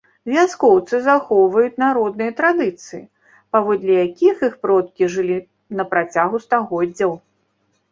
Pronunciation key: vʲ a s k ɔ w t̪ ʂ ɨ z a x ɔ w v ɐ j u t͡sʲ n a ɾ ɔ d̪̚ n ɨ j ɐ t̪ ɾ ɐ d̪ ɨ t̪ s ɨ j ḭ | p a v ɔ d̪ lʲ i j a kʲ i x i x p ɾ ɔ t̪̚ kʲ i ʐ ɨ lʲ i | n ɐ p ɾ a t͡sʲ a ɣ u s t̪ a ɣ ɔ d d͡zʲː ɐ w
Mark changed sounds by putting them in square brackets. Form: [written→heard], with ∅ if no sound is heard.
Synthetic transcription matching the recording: vʲ a s k ɔ w t̪ [ʂ→s] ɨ z a x ɔ w v ɐ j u t͡sʲ n a ɾ ɔ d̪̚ n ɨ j ɐ t̪ ɾ [ɐ→a] d̪ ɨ t̪ s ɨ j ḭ | p a v ɔ d̪ lʲ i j a kʲ i x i x p ɾ ɔ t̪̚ kʲ i ʐ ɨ lʲ i | n ɐ p ɾ a t͡sʲ a ɣ u s t̪ a ɣ ɔ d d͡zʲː ɐ w

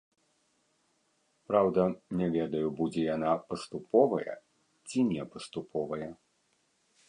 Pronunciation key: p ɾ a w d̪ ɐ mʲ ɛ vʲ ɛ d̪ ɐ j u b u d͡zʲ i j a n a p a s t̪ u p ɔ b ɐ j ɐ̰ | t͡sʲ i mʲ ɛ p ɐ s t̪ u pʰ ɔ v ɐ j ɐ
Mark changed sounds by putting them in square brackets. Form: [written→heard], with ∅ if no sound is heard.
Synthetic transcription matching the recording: p ɾ a w d̪ ɐ [mʲ→nʲ] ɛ vʲ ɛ d̪ ɐ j u b u d͡zʲ [i→ɛ] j a n a p [a→ɐ] s t̪ u p ɔ [b→v] ɐ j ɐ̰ | t͡sʲ i [mʲ→nʲ] ɛ p ɐ s t̪ u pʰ ɔ v ɐ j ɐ

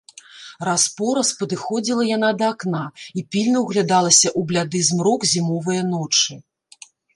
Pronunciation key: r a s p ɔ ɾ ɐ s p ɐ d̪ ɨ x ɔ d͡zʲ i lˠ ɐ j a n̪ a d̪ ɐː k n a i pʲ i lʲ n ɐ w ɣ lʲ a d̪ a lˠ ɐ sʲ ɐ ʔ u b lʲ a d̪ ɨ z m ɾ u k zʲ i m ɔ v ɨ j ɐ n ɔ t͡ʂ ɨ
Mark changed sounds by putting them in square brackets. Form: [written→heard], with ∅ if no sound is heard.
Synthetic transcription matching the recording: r a s p ɔ ɾ ɐ s p ɐ d̪ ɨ x ɔ d͡zʲ i lˠ ɐ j a n̪ a d̪ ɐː k n a i pʲ i lʲ n ɐ w ɣ lʲ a d̪ a lˠ ɐ sʲ ɐ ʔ u b lʲ a d̪ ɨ z m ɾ [u→ɔ] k zʲ i m ɔ v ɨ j ɐ n ɔ t͡ʂ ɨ

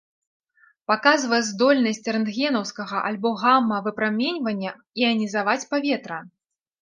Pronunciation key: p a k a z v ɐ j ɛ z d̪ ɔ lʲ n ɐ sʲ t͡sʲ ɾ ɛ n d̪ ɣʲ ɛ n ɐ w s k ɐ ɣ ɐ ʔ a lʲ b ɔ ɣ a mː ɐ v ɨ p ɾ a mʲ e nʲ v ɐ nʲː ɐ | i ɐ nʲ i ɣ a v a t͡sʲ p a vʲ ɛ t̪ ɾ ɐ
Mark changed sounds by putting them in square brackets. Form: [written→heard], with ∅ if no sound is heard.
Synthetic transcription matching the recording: p a k a z v ɐ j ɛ z d̪ ɔ lʲ n ɐ sʲ t͡sʲ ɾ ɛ n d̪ ɣʲ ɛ n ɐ w s k ɐ ɣ ɐ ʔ a lʲ b ɔ ɣ a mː ɐ v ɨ p ɾ a mʲ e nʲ v ɐ nʲː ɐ | i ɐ nʲ i [ɣ→z] a v a t͡sʲ p a vʲ ɛ t̪ ɾ ɐ

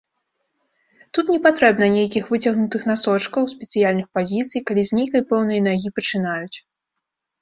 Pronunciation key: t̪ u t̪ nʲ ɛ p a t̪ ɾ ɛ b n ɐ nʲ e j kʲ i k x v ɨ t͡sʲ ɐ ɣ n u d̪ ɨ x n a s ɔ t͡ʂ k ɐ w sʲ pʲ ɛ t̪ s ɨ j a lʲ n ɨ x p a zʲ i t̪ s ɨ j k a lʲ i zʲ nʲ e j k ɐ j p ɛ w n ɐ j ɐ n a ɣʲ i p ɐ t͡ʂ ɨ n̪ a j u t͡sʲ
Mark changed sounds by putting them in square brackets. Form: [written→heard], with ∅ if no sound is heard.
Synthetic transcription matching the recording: t̪ u t̪ nʲ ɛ p a t̪ ɾ ɛ b n ɐ nʲ e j kʲ i [k→∅] x v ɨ t͡sʲ ɐ ɣ n u [d̪→t̪] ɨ x n a s ɔ t͡ʂ k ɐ w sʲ pʲ ɛ t̪ s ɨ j a lʲ n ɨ x p a zʲ i t̪ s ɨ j k a lʲ i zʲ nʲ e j k ɐ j p ɛ w n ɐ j ɐ n a ɣʲ i p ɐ t͡ʂ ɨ n̪ a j u t͡sʲ

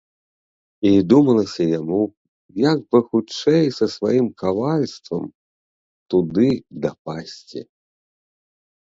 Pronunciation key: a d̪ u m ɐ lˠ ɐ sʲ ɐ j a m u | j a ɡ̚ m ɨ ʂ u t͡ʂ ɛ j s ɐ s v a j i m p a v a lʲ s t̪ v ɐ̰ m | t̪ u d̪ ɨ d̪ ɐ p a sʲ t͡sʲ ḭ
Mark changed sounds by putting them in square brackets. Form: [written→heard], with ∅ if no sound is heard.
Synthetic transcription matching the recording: [a→i] d̪ u m ɐ lˠ ɐ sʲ ɐ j a m u | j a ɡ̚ [m→b] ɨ [ʂ→x] u t͡ʂ ɛ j s ɐ s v a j i m [p→k] a v a lʲ s t̪ v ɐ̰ m | t̪ u d̪ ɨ d̪ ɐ p a sʲ t͡sʲ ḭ

